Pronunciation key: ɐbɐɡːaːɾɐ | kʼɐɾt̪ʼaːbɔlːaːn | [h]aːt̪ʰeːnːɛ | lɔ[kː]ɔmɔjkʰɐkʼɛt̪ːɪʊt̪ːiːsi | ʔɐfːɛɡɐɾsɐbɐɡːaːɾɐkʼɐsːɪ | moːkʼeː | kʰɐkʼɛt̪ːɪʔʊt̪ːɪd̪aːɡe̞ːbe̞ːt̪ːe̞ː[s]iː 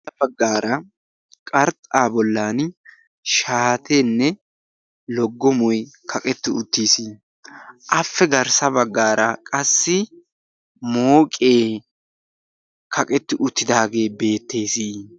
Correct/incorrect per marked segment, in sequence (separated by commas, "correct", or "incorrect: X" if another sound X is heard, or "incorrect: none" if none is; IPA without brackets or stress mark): incorrect: ʃ, incorrect: ɡː, correct